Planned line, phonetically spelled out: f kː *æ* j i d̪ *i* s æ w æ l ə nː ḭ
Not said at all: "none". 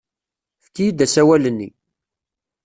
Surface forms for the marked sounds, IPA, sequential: i, æ

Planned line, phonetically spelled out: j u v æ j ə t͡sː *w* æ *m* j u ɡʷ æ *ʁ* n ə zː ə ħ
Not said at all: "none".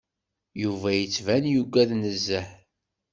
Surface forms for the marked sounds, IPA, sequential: v, n, ð

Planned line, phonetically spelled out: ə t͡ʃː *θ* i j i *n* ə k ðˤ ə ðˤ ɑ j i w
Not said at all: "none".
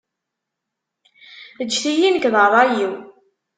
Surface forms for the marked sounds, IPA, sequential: θ, n

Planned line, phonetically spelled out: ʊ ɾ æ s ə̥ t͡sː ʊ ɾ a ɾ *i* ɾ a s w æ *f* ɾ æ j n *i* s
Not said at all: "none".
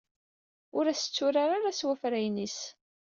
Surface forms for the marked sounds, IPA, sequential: a, f, i

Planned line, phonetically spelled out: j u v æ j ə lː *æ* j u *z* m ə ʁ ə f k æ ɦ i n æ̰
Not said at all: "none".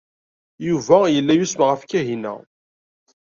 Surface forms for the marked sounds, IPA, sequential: æ, s

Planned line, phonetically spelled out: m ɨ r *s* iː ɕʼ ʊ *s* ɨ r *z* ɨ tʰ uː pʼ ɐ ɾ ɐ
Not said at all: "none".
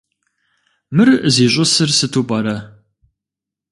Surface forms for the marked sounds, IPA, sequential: z, s, s

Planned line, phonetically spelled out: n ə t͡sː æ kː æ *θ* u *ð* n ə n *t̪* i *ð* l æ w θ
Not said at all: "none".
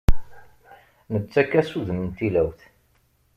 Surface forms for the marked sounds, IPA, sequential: s, ð, t̪, none

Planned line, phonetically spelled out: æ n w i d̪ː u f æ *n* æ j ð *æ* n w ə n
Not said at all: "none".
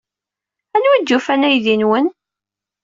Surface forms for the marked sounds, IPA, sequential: n, i

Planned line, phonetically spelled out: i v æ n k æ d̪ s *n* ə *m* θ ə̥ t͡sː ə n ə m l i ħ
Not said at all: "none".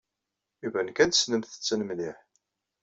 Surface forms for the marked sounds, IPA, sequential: n, m

